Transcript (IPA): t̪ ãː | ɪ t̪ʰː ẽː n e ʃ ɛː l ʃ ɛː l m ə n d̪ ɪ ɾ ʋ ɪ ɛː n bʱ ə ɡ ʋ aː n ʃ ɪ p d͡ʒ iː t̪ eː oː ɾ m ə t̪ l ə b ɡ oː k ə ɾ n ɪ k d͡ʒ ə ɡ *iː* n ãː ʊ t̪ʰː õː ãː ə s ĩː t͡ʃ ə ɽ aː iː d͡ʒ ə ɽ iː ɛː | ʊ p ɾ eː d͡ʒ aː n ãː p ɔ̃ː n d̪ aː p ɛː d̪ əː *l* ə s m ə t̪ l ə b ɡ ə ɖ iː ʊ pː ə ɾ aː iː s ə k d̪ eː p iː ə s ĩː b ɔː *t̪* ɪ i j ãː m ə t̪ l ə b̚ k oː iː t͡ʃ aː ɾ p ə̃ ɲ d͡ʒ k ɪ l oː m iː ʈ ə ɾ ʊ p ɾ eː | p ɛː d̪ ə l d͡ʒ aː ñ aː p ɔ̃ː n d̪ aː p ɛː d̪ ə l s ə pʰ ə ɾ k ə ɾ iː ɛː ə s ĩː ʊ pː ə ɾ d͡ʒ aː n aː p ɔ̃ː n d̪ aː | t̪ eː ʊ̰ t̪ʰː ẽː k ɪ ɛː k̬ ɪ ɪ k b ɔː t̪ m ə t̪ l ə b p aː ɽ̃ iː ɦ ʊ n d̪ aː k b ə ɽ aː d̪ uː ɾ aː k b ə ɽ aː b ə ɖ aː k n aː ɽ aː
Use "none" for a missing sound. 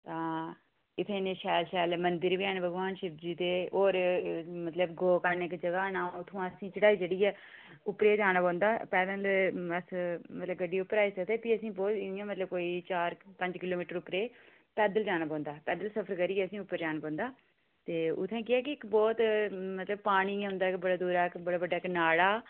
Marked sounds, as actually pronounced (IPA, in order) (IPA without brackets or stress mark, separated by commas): aː, l, t̪